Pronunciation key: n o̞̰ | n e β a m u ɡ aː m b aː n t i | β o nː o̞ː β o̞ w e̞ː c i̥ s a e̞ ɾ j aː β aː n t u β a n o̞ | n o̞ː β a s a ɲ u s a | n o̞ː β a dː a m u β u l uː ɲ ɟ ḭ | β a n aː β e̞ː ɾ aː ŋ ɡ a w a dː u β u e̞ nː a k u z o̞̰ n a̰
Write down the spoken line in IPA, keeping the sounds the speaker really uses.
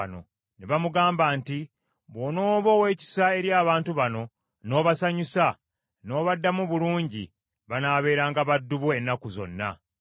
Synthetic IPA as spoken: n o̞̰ | n e β a m u ɡ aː m b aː n t i | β o n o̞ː β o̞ w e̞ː c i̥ s a e̞ ɾ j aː β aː n t u β a n o̞ | n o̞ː β a s a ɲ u s a | n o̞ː β a dː a m u β u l uː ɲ ɟ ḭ | β a n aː β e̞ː ɾ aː ŋ ɡ a β a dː u β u e̞ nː a k u z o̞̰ nː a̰